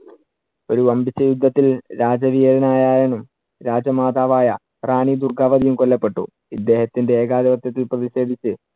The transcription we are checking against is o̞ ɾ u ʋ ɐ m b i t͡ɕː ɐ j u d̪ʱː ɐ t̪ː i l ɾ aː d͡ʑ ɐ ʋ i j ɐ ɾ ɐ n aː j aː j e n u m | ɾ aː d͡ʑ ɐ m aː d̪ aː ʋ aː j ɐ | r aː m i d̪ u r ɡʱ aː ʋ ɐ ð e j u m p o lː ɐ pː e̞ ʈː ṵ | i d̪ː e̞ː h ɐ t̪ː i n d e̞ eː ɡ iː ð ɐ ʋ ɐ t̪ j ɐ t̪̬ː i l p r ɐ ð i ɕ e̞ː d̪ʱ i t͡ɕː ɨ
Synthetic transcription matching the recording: o̞ ɾ u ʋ ɐ m b i t͡ɕː ɐ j u d̪ʱː ɐ t̪ː i l ɾ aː d͡ʑ ɐ ʋ i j ɐ ɾ ɐ n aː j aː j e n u m | ɾ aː d͡ʑ ɐ m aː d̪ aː ʋ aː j ɐ | r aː ɳ i d̪ u r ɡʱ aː ʋ ɐ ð i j u m k o lː ɐ pː e̞ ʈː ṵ | i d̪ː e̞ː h ɐ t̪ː i n d e̞ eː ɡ aː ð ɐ ʋ ɐ t̪ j ɐ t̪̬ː i l p r ɐ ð i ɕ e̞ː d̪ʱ i t͡ɕː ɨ